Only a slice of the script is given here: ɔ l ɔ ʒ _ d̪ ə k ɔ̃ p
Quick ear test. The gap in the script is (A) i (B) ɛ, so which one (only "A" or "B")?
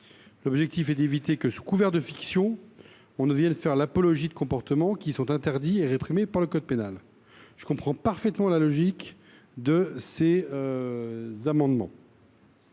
A